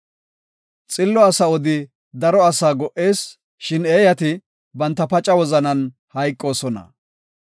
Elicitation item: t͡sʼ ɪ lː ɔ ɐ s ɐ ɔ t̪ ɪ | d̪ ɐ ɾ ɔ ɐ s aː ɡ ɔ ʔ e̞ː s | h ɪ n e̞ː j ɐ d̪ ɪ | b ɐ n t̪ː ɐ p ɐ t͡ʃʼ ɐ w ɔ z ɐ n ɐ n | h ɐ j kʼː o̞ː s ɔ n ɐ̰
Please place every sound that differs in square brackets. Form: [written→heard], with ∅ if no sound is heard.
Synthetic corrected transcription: t͡sʼ ɪ lː ɔ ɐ s ɐ ɔ [t̪→d̪] ɪ | d̪ ɐ ɾ ɔ ɐ s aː ɡ ɔ ʔ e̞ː s | [h→ʃ] ɪ n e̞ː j ɐ [d̪→t̪] ɪ | b ɐ n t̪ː ɐ p ɐ t͡ʃʼ ɐ w ɔ z ɐ n ɐ n | h ɐ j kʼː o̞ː s ɔ n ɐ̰